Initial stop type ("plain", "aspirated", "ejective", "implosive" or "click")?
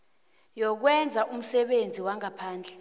plain